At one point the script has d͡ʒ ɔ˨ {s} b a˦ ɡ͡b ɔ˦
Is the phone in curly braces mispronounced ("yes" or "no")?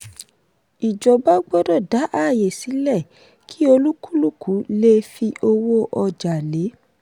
yes